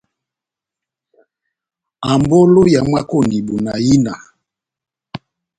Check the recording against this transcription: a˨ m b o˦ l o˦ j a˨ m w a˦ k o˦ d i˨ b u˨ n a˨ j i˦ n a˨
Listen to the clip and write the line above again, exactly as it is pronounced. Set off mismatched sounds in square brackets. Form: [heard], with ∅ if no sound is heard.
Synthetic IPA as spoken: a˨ m b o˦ l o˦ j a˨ m w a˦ k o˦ [n] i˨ b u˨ n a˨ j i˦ n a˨